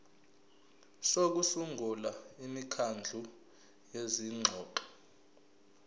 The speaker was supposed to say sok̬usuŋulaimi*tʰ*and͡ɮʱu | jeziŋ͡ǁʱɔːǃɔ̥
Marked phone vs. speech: incorrect: kʰ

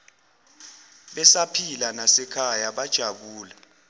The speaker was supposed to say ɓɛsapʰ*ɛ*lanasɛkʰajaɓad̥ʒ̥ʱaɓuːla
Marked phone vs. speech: incorrect: i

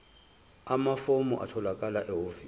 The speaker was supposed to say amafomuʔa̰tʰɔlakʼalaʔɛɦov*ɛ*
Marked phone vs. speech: incorrect: i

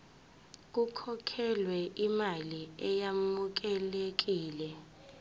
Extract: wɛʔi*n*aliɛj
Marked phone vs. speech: incorrect: m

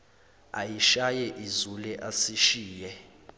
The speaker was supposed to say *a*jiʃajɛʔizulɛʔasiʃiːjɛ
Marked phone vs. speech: correct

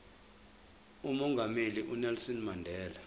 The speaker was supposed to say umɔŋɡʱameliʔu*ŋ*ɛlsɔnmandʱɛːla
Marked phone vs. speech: incorrect: n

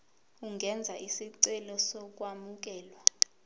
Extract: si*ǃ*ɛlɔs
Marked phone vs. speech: incorrect: ǀ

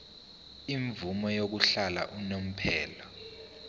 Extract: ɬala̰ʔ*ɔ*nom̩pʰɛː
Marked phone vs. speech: incorrect: u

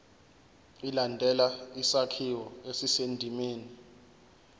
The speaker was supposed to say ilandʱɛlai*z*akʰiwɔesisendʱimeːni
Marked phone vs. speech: incorrect: s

